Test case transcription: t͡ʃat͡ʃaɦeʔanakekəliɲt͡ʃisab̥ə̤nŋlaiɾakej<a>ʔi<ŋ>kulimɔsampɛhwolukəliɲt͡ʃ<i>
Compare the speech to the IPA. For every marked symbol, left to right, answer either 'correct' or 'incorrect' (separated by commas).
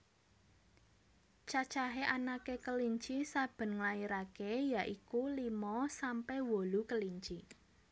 correct, incorrect, correct